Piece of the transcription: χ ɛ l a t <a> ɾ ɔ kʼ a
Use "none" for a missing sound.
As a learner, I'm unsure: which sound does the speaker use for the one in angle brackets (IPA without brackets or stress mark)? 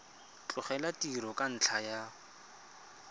i